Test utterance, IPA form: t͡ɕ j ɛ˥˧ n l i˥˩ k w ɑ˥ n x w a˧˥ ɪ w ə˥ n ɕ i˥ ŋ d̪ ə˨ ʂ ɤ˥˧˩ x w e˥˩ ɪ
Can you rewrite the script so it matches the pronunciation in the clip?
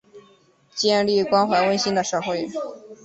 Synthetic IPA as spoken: t͡ɕ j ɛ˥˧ n l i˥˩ k w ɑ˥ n x w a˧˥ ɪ w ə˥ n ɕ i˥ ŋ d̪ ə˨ ʂ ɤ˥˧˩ x w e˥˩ ɪ